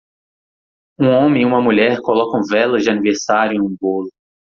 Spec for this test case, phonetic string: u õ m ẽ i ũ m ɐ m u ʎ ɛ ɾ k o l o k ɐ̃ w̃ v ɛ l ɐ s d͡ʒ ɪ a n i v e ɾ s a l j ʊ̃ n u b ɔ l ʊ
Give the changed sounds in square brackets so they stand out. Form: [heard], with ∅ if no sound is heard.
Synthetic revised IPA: [ũ] õ m ẽ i ũ m ɐ m u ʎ ɛ ɾ k o l [ɔ] k ɐ̃ w̃ v ɛ l ɐ [z] d͡ʒ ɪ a n i v e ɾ s a [ɾ] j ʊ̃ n [ũ] b [o] l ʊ